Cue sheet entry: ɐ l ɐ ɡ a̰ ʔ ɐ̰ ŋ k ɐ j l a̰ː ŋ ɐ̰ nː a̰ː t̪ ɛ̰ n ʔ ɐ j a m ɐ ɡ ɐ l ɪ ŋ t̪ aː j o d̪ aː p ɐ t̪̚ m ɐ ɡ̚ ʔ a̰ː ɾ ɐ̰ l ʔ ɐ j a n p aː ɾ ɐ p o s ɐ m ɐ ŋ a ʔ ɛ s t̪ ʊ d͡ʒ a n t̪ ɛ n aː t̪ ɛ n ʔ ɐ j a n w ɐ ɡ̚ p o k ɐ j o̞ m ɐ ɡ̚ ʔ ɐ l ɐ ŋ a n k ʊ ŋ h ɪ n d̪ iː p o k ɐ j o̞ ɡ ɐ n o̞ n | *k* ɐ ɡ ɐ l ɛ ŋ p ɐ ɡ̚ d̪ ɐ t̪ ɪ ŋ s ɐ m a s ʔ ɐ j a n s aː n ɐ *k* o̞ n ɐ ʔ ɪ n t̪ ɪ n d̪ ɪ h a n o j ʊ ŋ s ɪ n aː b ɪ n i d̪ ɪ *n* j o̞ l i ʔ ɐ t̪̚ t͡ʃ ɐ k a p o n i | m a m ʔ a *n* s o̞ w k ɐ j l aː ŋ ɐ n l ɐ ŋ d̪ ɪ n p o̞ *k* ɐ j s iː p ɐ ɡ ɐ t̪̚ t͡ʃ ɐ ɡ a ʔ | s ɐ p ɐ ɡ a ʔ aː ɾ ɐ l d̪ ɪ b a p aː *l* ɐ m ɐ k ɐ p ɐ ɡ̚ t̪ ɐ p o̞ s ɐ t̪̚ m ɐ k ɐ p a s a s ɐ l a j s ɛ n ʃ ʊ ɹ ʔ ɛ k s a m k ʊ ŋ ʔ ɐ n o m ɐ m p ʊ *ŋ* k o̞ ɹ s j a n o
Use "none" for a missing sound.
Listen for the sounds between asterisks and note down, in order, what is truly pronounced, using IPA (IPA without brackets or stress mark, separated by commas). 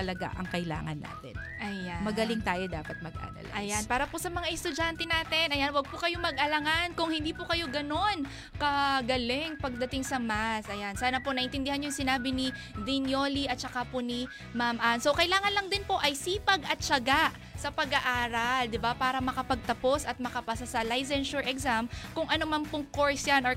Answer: k, p, n, n, ʔ, ɾ, ŋ